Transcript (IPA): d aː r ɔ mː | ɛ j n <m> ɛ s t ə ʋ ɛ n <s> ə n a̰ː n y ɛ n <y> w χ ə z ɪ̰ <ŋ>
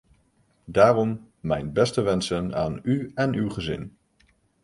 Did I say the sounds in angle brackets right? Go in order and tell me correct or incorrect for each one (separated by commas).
incorrect, correct, correct, incorrect